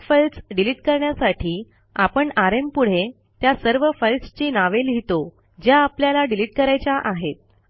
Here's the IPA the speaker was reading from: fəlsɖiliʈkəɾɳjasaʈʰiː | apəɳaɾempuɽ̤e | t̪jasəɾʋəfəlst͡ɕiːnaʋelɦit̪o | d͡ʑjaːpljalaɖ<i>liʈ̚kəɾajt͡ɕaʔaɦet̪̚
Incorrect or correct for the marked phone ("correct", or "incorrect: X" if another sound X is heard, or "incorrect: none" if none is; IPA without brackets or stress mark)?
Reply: correct